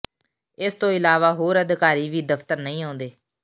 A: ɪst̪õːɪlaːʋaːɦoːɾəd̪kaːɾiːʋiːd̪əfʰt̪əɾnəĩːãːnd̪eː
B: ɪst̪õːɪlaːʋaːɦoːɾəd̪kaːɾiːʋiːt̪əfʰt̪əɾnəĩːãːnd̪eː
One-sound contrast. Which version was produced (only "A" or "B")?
A